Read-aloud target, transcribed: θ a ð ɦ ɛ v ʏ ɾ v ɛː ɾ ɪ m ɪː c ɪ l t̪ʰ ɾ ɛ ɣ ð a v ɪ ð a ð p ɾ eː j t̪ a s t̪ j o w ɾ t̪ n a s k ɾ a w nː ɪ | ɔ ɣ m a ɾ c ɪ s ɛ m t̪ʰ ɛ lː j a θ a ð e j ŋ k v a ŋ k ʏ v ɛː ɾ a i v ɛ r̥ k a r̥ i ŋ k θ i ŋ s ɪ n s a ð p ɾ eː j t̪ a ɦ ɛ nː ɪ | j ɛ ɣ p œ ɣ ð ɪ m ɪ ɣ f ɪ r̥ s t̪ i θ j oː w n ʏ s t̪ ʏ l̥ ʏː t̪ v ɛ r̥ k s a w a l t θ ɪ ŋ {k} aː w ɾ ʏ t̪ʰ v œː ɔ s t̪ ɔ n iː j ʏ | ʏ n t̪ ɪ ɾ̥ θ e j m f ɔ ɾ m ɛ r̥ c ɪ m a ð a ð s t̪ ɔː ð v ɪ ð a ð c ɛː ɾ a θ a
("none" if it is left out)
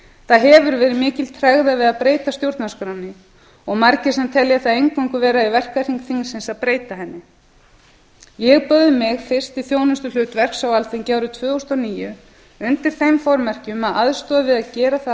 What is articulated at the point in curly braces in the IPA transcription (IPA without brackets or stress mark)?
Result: c